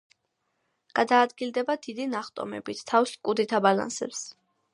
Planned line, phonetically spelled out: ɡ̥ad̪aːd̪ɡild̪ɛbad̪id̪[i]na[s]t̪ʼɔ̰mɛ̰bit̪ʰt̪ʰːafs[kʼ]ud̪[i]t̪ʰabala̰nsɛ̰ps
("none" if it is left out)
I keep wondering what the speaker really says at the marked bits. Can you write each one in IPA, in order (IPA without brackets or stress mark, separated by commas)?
i, χ, kʼ, i